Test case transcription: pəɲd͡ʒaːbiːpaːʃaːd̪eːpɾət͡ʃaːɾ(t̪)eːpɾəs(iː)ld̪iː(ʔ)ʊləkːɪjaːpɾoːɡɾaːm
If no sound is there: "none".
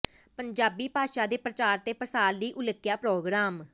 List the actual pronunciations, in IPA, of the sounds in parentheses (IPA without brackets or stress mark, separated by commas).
t̪, aː, ʔ